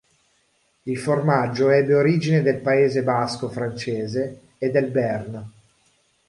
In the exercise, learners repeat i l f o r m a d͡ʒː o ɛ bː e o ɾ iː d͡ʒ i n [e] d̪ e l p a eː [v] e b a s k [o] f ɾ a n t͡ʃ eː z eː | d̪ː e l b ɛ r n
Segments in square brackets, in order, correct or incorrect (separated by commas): correct, incorrect, correct